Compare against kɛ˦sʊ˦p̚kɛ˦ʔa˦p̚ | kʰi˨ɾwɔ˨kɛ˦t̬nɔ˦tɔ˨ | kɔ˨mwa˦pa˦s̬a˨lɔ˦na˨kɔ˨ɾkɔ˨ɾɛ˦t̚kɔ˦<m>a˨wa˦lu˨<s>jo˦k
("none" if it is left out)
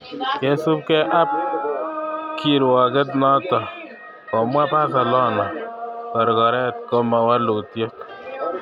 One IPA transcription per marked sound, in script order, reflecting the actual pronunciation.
m, t

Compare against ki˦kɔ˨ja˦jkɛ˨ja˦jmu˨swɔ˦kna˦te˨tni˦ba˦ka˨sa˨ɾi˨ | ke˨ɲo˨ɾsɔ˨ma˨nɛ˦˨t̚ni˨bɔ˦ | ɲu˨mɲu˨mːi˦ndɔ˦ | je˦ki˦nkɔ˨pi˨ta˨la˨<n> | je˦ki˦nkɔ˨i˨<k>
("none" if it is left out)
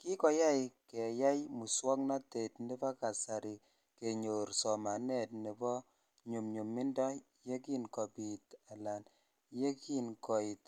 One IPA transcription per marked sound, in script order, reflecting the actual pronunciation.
n, t

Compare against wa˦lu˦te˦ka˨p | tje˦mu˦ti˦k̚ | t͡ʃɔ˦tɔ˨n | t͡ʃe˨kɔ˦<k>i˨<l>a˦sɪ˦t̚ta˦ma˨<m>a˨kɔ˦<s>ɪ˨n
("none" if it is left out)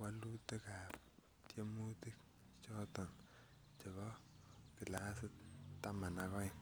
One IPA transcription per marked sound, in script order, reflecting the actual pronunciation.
k, l, n, none

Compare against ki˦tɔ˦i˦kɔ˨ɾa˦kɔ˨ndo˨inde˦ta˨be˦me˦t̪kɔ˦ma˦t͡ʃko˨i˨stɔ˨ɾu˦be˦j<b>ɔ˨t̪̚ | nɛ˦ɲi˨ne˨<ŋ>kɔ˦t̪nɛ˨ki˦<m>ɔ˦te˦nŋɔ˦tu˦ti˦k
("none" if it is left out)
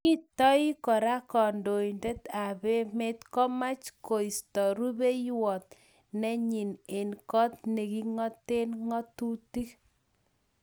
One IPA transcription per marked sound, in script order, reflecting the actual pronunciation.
w, n, ŋ

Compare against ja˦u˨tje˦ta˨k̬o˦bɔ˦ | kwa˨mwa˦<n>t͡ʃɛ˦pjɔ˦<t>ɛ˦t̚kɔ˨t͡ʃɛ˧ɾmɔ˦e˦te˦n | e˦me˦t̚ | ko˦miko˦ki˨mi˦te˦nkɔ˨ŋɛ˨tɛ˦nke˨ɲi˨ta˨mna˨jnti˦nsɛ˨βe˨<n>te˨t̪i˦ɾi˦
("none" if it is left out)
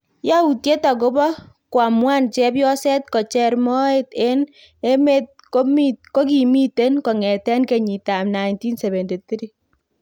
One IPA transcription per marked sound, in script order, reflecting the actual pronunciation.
n, s, n

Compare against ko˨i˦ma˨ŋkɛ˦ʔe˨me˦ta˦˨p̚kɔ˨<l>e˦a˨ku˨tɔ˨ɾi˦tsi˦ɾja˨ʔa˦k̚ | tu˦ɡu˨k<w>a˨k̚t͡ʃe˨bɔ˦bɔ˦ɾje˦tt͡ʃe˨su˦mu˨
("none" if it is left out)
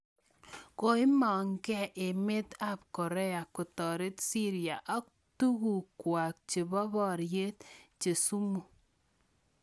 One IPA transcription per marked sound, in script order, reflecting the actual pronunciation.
ɾ, w

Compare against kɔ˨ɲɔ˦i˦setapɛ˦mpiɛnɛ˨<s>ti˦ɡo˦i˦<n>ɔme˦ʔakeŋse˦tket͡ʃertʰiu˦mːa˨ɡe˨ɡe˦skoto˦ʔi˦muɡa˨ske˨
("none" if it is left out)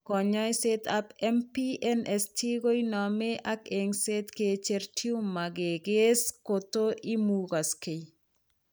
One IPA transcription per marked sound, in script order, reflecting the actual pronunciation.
s, n

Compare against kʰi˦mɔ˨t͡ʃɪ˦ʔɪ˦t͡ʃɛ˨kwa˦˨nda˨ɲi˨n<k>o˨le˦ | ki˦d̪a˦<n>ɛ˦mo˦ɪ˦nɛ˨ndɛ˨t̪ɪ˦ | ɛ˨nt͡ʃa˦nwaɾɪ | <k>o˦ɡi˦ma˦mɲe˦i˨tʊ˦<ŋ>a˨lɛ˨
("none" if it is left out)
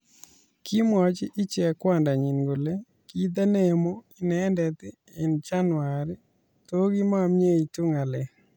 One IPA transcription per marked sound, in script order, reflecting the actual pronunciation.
ɡ, n, t, ŋ

